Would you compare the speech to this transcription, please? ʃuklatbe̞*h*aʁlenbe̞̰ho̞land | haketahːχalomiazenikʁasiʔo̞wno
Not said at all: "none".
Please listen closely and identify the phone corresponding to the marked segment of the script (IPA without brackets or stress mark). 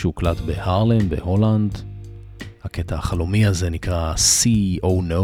h